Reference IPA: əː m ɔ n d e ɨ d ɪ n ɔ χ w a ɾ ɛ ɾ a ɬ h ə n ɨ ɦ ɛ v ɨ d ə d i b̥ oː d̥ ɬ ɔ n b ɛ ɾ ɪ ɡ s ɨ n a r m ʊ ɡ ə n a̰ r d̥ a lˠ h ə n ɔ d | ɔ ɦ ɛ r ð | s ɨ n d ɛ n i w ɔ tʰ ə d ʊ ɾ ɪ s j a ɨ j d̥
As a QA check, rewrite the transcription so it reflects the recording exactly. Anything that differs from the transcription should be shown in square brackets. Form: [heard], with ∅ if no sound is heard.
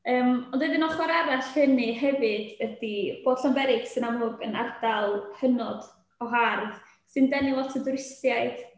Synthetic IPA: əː m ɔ n d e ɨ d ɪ n ɔ χ w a ɾ [a] ɾ a ɬ h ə n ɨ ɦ ɛ v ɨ d ə d i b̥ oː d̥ ɬ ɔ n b ɛ ɾ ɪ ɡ s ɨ n a [∅] m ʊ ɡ ə n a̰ r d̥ a lˠ h ə n ɔ d | ɔ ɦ [a] r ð | s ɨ n d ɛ n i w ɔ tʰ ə d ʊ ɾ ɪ s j a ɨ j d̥